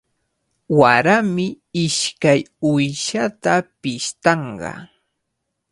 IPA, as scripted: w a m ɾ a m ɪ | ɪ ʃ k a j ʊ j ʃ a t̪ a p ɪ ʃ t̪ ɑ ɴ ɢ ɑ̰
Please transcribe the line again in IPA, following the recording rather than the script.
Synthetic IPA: w a ɾ a m ɪ | ɪ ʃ k a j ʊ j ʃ a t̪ a p ɪ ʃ t̪ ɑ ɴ ɢ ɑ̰